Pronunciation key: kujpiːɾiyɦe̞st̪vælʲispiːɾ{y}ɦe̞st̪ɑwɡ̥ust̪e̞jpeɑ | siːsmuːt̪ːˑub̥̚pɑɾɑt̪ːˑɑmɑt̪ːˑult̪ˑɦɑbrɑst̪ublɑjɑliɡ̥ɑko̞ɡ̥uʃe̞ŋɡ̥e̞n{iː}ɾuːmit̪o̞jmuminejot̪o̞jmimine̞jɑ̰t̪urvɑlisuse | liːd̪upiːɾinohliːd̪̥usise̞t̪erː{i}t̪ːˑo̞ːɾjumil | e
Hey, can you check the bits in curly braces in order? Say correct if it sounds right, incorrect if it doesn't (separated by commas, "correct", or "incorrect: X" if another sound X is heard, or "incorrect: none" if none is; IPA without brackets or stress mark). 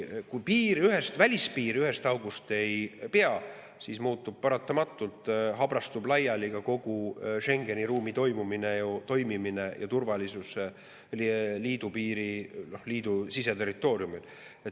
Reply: correct, incorrect: i, correct